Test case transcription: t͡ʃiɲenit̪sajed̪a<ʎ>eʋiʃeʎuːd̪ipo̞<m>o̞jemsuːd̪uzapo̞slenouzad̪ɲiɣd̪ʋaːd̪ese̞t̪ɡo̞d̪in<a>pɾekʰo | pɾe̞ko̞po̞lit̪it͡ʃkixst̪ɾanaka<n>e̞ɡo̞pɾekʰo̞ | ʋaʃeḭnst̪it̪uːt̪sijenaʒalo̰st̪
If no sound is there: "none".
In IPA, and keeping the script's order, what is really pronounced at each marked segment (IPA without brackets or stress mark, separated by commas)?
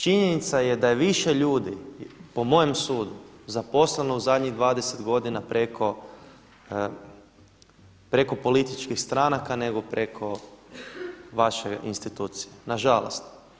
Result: j, m, a, n